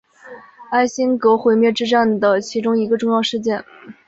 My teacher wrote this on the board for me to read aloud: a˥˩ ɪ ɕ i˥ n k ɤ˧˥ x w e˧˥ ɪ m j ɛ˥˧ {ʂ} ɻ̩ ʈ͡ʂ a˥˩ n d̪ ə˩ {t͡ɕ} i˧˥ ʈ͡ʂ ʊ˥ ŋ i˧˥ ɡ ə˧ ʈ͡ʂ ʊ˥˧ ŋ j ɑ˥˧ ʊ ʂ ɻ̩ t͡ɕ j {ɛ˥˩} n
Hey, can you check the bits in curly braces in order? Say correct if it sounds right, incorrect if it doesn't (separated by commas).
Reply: incorrect, incorrect, correct